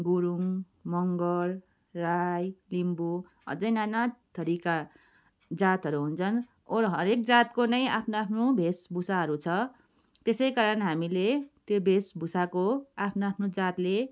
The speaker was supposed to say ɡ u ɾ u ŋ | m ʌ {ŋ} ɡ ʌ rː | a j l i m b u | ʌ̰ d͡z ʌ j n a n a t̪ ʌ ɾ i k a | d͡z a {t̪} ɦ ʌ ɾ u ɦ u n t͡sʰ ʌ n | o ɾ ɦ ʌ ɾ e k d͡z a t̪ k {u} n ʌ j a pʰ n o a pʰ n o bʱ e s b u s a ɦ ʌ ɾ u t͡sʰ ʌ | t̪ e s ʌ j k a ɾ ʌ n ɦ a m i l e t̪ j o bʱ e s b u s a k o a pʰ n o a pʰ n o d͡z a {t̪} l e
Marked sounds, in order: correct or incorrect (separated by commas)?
correct, correct, incorrect, correct